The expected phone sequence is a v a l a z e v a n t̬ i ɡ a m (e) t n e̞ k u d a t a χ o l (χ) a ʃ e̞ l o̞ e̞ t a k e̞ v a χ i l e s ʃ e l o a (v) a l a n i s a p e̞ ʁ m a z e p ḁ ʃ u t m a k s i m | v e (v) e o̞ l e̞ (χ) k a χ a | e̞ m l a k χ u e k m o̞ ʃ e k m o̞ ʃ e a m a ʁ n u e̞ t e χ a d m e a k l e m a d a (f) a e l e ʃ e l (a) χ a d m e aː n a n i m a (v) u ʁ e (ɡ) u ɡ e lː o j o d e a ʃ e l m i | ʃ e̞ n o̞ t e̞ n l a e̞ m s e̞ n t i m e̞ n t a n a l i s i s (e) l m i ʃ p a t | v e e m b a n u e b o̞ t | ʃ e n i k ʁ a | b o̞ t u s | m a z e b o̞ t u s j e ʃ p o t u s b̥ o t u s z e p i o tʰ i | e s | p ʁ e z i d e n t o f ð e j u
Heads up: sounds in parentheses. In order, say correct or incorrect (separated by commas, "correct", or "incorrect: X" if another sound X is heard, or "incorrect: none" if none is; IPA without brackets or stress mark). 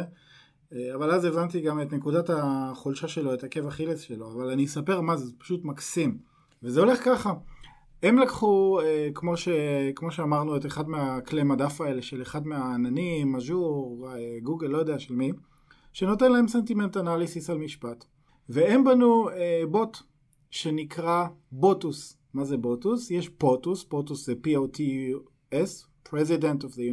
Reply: correct, incorrect: ʃ, correct, incorrect: z, correct, correct, incorrect: e, incorrect: ʒ, correct, incorrect: a